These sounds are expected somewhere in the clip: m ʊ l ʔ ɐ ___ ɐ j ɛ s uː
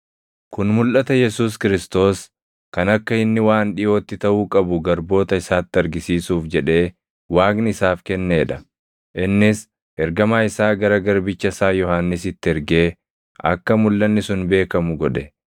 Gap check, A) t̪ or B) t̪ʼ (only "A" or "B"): A